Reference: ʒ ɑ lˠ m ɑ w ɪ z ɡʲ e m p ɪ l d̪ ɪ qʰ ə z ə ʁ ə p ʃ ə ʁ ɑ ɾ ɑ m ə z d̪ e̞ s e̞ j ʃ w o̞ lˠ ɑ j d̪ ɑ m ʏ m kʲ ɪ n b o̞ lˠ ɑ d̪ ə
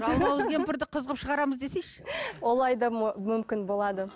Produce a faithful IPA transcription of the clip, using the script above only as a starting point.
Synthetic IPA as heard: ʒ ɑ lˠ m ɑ w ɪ z ɡʲ e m p ɪ ɾ d̪ ɪ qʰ ə z ə ʁ ə p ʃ ə ʁ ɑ ɾ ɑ m ə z d̪ e̞ s e̞ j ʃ w o̞ lˠ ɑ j d̪ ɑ m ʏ m kʲ ɪ n b o̞ lˠ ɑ d̪ ə